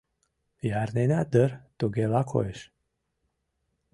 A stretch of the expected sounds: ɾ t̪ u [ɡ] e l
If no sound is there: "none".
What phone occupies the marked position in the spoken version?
ɡ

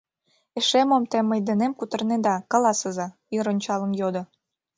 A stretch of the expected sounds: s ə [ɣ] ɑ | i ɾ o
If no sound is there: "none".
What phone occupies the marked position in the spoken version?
z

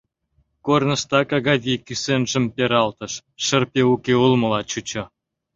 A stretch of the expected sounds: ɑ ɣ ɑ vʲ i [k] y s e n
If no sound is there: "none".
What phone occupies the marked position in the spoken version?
k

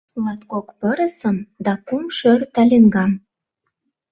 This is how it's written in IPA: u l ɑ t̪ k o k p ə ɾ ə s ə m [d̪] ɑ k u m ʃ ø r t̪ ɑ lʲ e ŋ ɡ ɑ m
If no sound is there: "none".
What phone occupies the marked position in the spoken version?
d̪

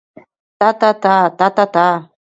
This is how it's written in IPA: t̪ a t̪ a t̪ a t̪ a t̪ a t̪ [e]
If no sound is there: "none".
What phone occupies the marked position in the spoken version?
a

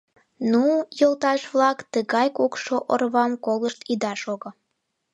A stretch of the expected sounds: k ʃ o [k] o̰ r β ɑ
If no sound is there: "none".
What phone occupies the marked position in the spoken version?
ʔ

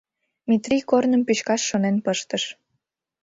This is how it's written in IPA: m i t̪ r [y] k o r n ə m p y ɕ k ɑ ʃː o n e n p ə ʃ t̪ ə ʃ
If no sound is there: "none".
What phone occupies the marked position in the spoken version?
i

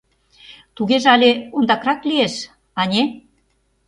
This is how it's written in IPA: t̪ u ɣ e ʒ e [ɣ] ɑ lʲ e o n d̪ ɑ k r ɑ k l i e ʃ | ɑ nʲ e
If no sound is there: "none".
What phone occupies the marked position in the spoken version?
none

